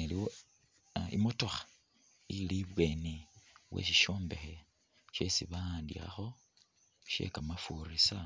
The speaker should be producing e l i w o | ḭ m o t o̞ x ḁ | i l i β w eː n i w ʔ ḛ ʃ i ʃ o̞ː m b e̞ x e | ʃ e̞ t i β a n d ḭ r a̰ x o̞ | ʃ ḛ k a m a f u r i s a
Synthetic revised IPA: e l i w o | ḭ m o t o̞ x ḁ | i l i β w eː n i w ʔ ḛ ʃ i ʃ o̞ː m b e̞ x e | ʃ e̞ s i β a n d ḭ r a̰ x o̞ | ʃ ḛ k a m a f u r i s a